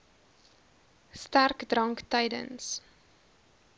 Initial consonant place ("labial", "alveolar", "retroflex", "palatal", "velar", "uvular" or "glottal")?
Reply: alveolar